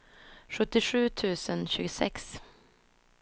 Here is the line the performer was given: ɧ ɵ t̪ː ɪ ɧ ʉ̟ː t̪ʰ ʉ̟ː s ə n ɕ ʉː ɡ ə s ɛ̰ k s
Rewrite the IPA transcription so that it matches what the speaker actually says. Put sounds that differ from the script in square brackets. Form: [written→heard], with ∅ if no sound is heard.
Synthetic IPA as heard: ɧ ɵ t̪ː ɪ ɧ ʉ̟ː t̪ʰ ʉ̟ː s ə n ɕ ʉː ɡ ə s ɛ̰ k s